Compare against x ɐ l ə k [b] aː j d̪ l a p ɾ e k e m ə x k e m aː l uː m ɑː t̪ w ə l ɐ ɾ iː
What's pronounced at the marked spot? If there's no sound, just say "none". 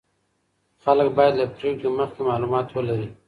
b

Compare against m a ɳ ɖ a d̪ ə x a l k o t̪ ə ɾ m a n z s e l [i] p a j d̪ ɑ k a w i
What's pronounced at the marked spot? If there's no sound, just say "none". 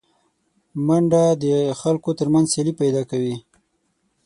i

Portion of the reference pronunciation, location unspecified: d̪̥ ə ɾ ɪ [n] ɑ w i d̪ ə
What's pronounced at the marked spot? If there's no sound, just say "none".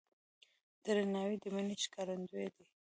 n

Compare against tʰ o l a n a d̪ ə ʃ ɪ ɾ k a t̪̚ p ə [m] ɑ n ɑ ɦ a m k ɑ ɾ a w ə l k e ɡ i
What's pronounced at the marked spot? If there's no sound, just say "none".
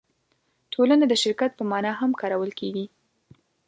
m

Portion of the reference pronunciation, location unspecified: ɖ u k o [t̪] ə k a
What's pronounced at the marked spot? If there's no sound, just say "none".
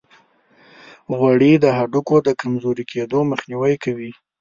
d̪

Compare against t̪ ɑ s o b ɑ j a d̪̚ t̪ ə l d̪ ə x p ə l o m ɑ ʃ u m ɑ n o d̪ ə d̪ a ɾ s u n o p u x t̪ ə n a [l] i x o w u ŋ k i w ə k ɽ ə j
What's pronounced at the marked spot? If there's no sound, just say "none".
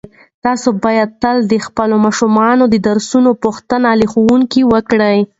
l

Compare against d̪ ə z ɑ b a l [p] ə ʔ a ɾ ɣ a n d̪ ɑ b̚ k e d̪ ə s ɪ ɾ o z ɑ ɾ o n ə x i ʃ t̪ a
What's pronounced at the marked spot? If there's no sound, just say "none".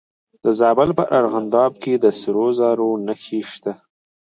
p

